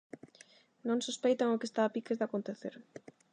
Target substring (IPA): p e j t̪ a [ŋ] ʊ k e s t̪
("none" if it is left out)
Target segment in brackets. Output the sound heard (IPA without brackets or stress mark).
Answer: ŋ